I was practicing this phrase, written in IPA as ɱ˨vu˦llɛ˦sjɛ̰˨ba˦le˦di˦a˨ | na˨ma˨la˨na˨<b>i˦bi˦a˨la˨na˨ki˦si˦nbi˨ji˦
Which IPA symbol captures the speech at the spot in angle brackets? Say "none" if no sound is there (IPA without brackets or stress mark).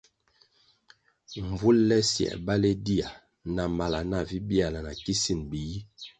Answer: v